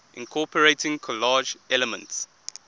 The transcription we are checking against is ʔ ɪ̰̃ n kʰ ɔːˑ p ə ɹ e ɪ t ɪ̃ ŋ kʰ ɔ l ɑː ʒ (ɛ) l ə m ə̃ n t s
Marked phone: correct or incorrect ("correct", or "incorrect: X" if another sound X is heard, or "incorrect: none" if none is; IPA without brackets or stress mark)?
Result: correct